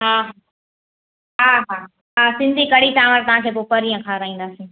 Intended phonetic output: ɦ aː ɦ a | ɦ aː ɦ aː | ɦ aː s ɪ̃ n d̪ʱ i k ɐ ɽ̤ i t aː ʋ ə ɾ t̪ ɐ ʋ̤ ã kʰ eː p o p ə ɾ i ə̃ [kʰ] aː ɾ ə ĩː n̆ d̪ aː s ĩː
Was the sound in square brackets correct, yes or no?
yes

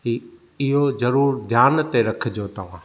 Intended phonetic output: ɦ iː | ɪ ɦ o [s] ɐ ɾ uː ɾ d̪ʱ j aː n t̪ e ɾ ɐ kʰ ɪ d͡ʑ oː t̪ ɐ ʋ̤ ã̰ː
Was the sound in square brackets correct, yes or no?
no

